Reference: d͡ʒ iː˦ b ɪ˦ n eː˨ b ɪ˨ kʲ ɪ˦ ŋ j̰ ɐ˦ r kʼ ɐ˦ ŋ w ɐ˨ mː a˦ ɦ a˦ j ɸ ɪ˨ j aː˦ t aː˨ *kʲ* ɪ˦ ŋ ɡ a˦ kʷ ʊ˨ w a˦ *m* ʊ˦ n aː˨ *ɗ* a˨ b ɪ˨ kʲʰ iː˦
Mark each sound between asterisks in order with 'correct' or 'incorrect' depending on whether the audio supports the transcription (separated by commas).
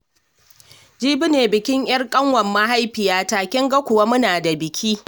correct, correct, incorrect